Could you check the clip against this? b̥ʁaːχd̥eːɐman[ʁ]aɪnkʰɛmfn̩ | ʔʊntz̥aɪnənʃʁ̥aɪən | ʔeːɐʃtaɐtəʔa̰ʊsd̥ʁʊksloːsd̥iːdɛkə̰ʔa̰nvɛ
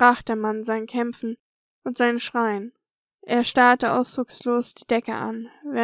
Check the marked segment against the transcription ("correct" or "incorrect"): incorrect